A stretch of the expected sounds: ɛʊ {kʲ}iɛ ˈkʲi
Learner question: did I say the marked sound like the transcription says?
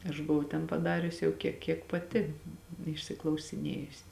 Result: yes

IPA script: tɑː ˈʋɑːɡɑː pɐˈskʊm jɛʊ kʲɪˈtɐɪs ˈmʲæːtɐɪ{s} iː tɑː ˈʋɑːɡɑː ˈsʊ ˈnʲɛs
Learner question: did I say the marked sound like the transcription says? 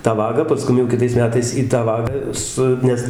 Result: yes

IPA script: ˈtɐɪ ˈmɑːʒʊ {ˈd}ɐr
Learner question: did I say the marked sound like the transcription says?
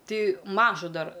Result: yes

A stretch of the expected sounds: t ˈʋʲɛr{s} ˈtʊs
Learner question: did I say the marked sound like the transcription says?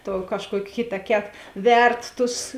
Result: no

